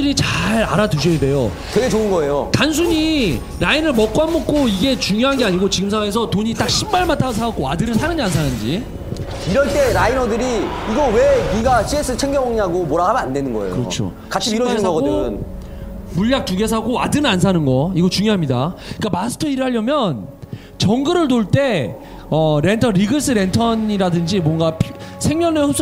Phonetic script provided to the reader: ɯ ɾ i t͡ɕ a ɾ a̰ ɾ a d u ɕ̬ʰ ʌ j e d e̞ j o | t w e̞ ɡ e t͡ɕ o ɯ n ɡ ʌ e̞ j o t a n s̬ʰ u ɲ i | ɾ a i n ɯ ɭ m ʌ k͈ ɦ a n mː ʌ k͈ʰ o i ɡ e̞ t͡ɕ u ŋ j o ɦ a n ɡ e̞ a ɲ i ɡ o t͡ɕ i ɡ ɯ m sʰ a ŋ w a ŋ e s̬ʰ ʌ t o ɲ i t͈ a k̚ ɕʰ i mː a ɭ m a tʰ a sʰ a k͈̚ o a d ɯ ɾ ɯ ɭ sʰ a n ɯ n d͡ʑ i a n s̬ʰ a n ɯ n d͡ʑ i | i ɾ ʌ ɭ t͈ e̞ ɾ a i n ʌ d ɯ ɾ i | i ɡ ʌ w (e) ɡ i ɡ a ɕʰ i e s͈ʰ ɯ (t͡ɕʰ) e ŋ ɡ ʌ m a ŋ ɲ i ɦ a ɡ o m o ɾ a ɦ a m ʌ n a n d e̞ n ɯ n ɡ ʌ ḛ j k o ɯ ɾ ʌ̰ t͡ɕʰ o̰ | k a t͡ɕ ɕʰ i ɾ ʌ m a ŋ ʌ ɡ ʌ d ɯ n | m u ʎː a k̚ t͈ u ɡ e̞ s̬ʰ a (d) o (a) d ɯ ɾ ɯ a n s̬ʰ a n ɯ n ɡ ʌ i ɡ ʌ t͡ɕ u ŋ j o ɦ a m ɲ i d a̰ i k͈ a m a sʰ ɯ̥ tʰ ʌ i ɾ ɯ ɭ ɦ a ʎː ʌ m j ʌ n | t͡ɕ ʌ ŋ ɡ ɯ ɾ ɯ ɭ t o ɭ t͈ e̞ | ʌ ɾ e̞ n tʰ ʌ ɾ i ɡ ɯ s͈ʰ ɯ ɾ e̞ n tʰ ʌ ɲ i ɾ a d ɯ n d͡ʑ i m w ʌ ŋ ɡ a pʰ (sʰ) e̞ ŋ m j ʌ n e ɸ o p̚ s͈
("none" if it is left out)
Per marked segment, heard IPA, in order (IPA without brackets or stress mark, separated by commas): e, t͡ɕʰ, ɡ, a, sʰ